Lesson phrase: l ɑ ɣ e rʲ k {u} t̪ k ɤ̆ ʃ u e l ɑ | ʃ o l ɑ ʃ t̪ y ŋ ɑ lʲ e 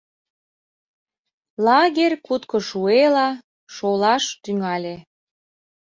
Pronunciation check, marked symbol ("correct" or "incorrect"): correct